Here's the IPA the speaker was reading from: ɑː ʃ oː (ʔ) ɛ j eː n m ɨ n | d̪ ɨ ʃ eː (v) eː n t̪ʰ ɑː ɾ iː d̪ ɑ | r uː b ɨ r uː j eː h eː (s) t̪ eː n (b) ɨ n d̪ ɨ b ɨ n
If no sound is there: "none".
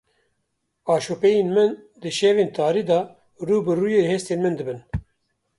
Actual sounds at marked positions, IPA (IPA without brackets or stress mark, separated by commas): p, v, s, m